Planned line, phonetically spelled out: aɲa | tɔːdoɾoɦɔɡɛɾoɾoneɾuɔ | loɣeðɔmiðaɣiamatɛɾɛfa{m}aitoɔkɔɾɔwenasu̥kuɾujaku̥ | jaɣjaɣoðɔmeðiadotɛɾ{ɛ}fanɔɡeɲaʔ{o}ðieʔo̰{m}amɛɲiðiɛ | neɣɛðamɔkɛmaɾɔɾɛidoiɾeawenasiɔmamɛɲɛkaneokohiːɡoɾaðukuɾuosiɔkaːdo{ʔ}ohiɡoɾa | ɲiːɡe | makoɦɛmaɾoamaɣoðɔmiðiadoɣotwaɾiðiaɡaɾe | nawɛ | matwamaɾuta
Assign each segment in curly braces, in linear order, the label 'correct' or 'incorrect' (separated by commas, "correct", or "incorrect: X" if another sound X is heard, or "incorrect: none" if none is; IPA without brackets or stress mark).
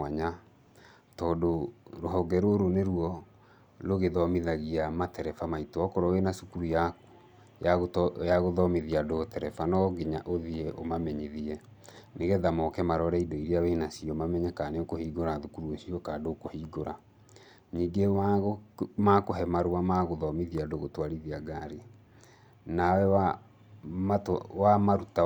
correct, correct, correct, correct, incorrect: k